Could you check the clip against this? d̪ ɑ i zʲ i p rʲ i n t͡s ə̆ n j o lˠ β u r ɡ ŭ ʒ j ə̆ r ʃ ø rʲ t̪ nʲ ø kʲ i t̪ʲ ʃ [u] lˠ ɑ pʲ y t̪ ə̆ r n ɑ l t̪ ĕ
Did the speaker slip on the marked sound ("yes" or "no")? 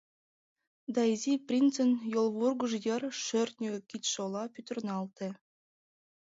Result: yes